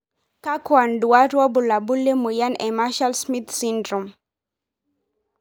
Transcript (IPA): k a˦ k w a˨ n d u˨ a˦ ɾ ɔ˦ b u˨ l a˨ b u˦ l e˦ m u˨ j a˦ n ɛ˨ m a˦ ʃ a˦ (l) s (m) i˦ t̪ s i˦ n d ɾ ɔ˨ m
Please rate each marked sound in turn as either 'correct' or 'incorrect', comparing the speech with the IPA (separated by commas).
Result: correct, correct